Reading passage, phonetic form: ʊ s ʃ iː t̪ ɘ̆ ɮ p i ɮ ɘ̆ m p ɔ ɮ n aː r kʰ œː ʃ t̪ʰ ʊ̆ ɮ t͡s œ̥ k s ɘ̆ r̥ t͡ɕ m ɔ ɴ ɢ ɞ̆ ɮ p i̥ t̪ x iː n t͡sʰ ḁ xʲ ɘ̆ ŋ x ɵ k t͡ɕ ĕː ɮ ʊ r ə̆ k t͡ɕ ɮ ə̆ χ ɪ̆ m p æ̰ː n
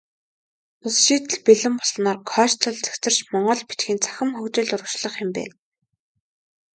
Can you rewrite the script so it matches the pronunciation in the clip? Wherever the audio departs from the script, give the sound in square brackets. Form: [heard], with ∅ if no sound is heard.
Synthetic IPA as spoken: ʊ s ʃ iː t̪ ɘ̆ ɮ p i ɮ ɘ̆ m p ɔ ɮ n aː r kʰ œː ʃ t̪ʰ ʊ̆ ɮ t͡s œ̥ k [t͡s] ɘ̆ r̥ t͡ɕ m ɔ ɴ ɢ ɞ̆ ɮ p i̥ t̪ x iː n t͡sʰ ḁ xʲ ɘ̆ [m] x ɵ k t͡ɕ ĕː ɮ ʊ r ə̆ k t͡ɕ ɮ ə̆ χ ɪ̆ m p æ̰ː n